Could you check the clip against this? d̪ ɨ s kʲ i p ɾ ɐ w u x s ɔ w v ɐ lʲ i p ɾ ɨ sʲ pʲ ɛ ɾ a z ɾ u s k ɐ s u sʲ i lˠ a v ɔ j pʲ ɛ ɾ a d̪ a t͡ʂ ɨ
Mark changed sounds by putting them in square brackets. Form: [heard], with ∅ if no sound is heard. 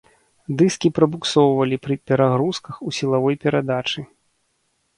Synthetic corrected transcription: d̪ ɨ s kʲ i p ɾ ɐ [b] u [k] s ɔ w v ɐ lʲ i p ɾ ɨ [∅] pʲ ɛ ɾ a [ɣ] ɾ u s k ɐ [x] u sʲ i lˠ a v ɔ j pʲ ɛ ɾ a d̪ a t͡ʂ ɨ